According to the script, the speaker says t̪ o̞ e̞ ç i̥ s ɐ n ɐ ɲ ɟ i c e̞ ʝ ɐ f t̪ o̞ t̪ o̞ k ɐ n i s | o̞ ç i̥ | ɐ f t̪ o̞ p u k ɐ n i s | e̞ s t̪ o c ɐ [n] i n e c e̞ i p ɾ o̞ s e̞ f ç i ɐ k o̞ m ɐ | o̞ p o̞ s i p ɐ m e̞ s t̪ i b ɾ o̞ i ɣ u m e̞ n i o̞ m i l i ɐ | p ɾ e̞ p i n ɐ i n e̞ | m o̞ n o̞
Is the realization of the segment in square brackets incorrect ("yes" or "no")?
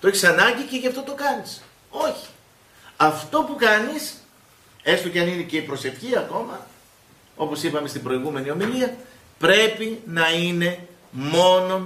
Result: no